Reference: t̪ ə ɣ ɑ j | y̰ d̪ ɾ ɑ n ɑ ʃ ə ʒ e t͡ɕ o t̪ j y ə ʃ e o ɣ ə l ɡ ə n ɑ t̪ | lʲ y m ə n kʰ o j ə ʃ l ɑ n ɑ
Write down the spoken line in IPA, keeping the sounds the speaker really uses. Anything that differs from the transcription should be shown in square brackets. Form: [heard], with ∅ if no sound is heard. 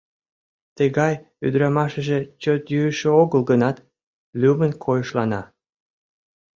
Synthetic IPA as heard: t̪ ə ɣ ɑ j | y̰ d̪ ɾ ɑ [m] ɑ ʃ ə ʒ e t͡ɕ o t̪ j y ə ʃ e o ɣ ə l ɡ ə n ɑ t̪ | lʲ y m ə n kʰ o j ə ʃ l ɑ n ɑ